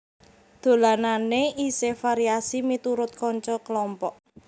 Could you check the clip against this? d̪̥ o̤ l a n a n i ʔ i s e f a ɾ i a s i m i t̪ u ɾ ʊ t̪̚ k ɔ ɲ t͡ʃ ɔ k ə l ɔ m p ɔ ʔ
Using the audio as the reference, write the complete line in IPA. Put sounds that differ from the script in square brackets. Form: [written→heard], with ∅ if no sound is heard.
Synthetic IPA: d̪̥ o̤ l a n a n [i→e] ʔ i s e f a ɾ i a s i m i t̪ u ɾ ʊ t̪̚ k ɔ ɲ t͡ʃ ɔ k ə l ɔ m p ɔ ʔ